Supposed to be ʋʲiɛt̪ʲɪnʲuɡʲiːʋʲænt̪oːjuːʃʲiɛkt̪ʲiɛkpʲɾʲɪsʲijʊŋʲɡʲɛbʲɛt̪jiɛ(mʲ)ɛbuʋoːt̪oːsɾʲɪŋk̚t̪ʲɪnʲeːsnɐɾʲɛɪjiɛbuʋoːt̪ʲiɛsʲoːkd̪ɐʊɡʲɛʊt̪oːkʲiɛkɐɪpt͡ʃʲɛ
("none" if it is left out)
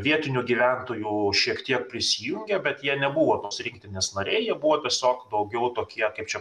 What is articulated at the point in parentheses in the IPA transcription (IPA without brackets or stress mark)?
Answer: nʲ